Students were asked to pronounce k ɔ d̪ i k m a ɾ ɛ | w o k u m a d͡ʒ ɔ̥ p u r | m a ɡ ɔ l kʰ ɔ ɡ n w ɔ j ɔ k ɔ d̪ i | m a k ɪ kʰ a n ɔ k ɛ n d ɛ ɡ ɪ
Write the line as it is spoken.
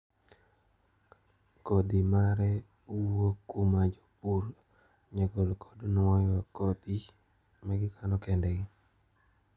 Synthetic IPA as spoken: k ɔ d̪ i m a ɾ ɛ | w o k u m a d͡ʒ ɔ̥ p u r | ɲ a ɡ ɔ l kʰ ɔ d n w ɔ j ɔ k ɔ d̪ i | m a ɡ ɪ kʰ a n ɔ k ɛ n d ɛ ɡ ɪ